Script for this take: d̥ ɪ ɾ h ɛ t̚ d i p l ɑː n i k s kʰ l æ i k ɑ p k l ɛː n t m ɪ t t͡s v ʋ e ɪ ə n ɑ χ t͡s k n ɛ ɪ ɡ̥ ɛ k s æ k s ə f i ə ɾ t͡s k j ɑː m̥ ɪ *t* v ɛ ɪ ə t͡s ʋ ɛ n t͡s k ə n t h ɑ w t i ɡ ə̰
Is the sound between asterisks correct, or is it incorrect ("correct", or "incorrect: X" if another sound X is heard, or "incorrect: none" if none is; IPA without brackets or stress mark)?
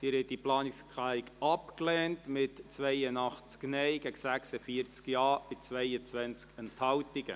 incorrect: t͡s